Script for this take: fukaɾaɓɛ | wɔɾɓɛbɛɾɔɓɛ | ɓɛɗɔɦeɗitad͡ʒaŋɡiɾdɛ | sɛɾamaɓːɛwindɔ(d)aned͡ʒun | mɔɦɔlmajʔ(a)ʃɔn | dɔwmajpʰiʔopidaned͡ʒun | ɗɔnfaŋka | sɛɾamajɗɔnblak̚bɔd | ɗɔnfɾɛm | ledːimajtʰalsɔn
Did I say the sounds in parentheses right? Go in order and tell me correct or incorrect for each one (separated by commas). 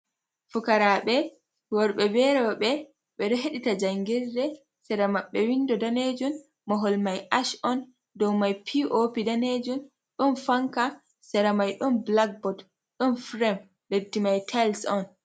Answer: correct, correct